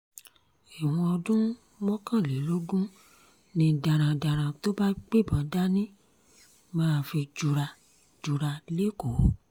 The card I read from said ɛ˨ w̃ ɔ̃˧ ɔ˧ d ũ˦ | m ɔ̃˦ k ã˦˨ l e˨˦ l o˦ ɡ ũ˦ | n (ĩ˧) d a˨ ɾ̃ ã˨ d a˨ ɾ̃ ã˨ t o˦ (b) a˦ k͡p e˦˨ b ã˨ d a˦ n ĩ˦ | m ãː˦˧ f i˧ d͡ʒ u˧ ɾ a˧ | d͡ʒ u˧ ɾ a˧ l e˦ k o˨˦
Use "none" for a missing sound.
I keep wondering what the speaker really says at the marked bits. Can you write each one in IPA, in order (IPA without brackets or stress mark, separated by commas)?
ĩ˧, b